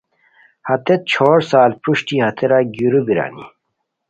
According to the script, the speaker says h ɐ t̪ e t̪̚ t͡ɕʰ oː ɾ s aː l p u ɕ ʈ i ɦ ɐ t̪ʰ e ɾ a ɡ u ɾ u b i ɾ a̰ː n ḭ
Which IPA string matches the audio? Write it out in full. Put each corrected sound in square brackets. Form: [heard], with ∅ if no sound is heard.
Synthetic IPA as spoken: h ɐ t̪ e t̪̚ t͡ɕʰ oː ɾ s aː l p u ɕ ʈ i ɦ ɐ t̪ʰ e ɾ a ɡ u ɾ u b i ɾ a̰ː n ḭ